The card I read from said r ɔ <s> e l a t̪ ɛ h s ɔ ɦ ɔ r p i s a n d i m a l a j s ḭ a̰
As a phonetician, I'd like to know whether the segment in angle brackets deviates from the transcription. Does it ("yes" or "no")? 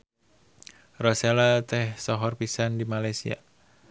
no